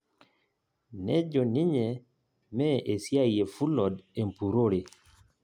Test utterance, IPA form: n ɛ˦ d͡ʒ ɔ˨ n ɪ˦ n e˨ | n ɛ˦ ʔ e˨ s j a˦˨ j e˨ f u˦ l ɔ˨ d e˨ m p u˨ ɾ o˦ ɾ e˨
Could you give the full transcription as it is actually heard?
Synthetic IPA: n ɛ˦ d͡ʒ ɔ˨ n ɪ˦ ɲ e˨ | m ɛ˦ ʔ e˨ s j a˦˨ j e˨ f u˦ l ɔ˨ d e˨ m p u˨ ɾ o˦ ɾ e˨